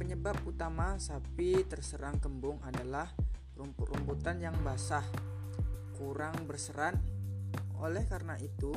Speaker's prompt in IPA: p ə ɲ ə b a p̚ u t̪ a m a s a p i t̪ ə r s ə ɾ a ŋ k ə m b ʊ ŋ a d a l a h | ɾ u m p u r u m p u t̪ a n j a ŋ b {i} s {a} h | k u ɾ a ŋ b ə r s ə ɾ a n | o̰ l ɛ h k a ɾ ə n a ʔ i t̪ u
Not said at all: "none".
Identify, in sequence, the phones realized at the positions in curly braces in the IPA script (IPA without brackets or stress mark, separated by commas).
a, a